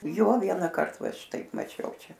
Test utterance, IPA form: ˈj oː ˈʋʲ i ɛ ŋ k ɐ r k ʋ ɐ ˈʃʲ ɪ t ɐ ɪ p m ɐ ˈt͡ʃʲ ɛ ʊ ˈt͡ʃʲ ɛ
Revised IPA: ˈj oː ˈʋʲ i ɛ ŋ k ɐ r t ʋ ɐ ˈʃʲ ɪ t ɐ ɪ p m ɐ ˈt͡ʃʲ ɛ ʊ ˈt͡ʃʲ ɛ